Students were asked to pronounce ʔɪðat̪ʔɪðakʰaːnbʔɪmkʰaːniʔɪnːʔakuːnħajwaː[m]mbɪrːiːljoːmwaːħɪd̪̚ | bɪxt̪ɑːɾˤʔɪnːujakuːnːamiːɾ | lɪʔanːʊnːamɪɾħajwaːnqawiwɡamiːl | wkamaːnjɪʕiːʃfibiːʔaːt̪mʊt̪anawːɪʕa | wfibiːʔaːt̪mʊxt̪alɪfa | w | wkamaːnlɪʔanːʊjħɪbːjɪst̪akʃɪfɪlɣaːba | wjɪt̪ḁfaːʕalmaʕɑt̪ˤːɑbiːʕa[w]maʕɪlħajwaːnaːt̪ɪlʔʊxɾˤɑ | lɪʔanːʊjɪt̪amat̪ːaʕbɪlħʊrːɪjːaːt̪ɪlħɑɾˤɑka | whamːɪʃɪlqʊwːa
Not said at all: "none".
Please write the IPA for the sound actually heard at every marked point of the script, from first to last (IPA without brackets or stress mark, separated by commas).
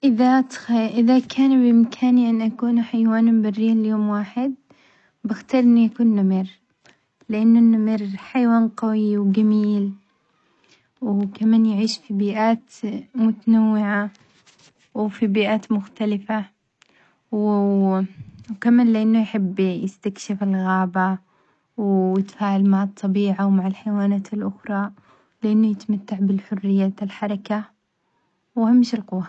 n, w